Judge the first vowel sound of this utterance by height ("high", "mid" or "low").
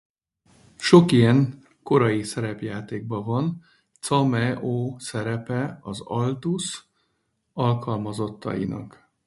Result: mid